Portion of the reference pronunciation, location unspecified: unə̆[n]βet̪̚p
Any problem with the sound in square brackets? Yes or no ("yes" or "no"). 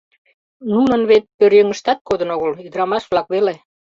no